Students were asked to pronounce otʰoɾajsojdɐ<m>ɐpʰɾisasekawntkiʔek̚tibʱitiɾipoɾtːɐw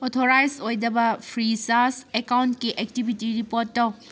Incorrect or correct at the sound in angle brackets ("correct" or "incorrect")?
incorrect